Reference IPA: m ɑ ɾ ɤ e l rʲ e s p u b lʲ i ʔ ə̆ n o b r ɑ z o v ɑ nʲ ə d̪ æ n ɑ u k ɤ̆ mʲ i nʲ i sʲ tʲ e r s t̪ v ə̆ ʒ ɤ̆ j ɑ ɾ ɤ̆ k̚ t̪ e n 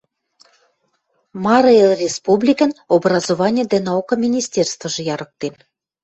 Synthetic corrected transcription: m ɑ ɾ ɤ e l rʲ e s p u b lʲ i k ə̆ n o b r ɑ z o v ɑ nʲ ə d̪ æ n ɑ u k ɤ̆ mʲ i nʲ i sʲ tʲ e r s t̪ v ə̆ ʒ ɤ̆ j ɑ ɾ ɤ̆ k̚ t̪ e n